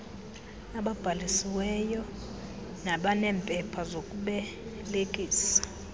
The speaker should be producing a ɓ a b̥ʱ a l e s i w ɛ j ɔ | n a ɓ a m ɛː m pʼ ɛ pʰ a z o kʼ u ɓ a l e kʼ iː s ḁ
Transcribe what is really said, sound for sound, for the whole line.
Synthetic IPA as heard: a ɓ a b̥ʱ a l i s i w ɛ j ɔ | n a ɓ a n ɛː m pʼ ɛ pʰ a z o kʼ u ɓ ɛ l e kʼ iː s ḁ